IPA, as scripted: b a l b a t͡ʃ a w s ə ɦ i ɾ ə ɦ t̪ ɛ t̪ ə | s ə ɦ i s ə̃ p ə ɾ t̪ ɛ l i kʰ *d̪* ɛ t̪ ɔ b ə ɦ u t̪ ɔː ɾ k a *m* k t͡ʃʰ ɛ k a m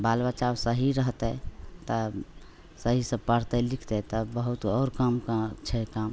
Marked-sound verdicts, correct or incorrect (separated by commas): incorrect, correct